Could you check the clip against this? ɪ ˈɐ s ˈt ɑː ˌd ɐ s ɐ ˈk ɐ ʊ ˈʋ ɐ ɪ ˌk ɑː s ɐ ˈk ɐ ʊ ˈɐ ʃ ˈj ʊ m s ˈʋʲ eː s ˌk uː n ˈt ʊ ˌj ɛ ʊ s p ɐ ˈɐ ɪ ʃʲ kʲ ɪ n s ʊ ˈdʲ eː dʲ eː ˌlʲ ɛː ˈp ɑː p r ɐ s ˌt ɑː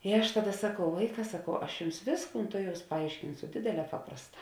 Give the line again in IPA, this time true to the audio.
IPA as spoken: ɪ ˈɐ ʃ ˈt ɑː ˌd ɐ s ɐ ˈk ɐ ʊ ˈʋ ɐ ɪ ˌk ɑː s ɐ ˈk ɐ ʊ ˈɐ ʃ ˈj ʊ m s ˈʋʲ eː s ˌk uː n ˈt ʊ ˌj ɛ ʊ s p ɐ ˈɐ ɪ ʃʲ kʲ ɪ n s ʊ ˈdʲ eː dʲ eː ˌlʲ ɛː ˈp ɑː p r ɐ s ˌt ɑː

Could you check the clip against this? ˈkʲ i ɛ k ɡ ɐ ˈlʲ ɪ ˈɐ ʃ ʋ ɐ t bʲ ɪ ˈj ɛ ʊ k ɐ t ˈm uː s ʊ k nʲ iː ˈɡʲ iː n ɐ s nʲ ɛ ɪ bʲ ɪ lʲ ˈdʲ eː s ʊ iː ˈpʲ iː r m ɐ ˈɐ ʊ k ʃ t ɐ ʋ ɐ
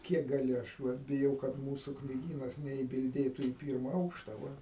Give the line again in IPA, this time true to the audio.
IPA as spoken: ˈkʲ i ɛ k ɡ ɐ ˈlʲ ɪ ˈɐ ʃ ʋ ɐ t bʲ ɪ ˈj ɛ ʊ k ɐ t ˈm uː s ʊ k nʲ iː ˈɡʲ iː n ɐ s nʲ ɛ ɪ bʲ ɪ lʲ ˈdʲ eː t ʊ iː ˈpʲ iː r m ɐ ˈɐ ʊ k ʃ t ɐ ʋ ɐ

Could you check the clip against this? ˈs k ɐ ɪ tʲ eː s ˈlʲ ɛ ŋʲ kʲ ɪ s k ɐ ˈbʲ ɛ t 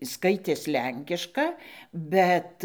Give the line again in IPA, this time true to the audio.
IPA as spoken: ˈs k ɐ ɪ tʲ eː s ˈlʲ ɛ ŋʲ kʲ ɪ ʃ k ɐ ˈbʲ ɛ t

